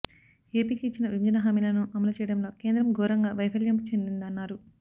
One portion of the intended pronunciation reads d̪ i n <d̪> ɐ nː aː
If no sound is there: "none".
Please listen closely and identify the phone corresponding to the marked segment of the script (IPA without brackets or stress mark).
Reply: d̪